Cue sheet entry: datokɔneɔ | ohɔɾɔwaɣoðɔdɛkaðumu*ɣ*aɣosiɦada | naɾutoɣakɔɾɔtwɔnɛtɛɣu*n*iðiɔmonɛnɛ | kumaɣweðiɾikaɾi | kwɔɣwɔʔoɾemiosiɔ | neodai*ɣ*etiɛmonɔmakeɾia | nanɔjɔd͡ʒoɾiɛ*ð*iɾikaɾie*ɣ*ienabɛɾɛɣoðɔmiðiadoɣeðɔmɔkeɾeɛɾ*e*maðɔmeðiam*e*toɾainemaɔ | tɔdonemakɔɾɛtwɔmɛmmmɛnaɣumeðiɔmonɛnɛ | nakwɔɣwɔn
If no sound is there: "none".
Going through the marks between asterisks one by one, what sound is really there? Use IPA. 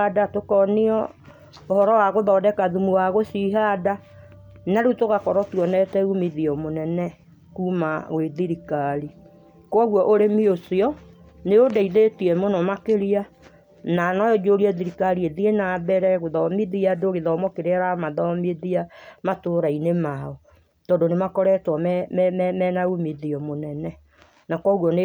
w, m, ð, ð, ð, a, a

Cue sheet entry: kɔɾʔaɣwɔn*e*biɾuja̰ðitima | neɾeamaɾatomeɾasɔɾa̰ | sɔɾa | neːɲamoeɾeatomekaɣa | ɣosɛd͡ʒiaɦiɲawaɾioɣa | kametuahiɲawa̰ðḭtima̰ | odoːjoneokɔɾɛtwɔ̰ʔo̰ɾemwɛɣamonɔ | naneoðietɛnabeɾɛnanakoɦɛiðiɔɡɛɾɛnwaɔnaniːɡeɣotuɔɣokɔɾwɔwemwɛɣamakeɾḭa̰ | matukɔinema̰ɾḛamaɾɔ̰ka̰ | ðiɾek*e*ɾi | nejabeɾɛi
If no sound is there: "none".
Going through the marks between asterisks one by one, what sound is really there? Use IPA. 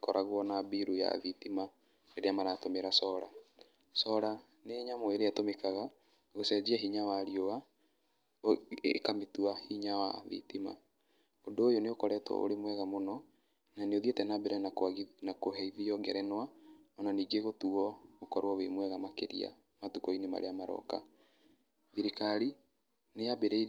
a, a

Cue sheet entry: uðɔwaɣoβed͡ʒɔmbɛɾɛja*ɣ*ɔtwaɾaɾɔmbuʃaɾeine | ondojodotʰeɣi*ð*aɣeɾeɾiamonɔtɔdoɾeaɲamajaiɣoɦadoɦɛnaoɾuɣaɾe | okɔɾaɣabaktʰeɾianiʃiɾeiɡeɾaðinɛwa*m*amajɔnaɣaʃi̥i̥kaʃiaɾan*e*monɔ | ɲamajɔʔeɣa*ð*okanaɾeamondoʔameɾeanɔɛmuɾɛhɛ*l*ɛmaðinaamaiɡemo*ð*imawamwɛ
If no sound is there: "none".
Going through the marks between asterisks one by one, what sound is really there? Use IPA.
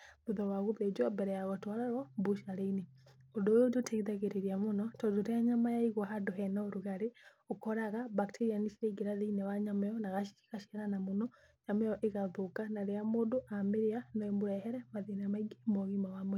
ɣ, ð, ɲ, a, ð, ɾ, ɣ

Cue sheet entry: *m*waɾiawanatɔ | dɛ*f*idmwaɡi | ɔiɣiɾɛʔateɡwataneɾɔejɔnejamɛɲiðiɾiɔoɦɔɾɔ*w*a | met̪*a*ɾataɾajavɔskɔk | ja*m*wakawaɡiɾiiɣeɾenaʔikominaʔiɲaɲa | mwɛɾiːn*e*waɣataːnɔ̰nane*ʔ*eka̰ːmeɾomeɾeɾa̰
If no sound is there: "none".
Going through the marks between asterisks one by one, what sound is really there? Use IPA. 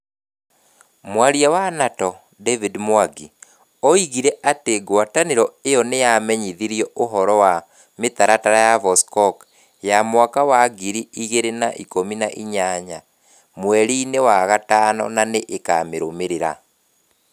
m, v, w, a, m, e, ʔ

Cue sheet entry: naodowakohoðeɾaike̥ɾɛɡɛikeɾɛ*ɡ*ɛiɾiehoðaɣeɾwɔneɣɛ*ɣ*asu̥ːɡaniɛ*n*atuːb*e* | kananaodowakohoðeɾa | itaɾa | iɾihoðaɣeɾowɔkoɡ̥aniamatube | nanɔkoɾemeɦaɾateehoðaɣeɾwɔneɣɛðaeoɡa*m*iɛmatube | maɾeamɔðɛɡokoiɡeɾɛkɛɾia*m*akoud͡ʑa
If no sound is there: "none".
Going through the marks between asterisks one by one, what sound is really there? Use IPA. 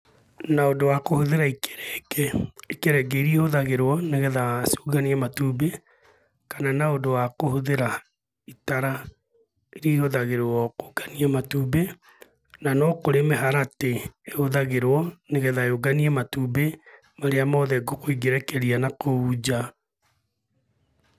ɡ, ð, m, e, n, n

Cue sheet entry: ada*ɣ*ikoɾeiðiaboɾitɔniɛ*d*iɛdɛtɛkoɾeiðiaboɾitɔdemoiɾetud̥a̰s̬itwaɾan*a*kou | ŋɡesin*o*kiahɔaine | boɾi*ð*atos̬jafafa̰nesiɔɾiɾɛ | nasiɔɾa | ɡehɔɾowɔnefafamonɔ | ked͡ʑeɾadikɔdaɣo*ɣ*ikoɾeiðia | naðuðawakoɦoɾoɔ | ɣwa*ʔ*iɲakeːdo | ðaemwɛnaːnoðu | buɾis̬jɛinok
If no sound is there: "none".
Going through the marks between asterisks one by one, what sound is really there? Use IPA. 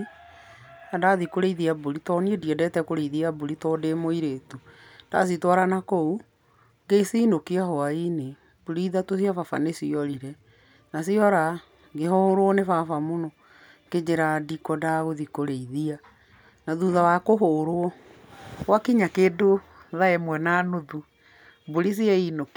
ð, d, a, o, ð, ð, k

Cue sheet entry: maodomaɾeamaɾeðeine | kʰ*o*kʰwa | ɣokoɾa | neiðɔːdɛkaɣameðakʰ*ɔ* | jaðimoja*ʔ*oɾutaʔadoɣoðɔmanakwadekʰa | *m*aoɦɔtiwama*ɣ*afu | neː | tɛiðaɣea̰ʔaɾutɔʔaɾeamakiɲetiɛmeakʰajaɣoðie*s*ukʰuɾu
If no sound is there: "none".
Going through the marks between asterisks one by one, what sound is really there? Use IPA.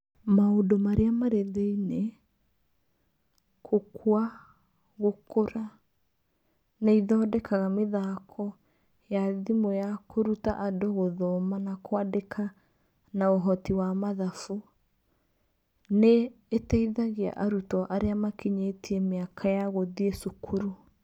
o, ɔ, k, n, ð, s

